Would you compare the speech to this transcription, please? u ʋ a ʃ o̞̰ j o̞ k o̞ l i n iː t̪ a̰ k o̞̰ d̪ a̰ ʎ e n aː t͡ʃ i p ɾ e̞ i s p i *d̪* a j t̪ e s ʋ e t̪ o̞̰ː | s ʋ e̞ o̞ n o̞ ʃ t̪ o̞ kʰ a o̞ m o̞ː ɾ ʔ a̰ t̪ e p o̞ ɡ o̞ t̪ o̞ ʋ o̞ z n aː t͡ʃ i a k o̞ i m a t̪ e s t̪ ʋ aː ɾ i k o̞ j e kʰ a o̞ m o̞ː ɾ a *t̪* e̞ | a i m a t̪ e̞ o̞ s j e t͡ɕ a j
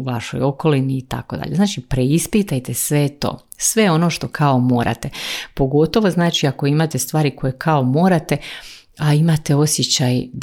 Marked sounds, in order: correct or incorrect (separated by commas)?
incorrect, correct